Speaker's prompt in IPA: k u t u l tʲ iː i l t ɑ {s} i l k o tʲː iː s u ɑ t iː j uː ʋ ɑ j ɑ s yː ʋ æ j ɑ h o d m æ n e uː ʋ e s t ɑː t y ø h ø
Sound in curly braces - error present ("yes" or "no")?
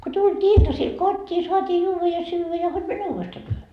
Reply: no